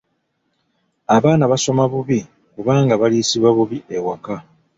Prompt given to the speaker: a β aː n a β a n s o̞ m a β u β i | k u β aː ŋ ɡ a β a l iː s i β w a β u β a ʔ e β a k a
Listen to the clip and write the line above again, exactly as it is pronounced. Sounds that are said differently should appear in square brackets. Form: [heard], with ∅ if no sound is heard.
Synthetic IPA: a β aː n a β a [∅] s o̞ m a β u β i | k u β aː ŋ ɡ a β a l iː s i β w a β u β [i] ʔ e [w] a k a